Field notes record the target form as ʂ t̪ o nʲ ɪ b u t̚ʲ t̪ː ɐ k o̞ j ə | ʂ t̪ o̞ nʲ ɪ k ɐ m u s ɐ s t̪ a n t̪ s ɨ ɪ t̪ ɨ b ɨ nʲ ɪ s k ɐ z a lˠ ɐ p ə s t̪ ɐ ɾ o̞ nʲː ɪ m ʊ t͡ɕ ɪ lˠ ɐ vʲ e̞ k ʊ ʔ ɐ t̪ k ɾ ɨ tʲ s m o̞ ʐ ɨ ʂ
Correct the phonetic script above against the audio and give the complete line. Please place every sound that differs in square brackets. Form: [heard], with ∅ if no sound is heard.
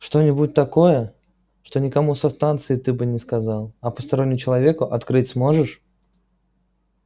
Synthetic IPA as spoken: ʂ t̪ o nʲ ɪ b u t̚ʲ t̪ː ɐ k o̞ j ə | ʂ t̪ o̞ nʲ ɪ k ɐ m u s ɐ s t̪ a n t̪ s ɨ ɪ t̪ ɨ b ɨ nʲ ɪ s k ɐ z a lˠ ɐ p ə s t̪ ɐ ɾ o̞ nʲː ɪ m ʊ t͡ɕ ɪ lˠ ɐ vʲ e̞ k ʊ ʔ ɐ t̪ k ɾ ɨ tʲ s m o̞ ʐ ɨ ʂ